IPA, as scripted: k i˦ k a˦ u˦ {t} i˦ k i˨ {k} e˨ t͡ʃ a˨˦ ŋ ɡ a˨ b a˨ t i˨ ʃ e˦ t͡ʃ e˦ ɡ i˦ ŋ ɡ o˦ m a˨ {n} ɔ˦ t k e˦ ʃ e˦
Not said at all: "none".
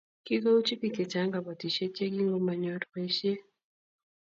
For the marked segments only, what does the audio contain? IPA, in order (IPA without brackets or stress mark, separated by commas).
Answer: t͡ʃ, k, ɲ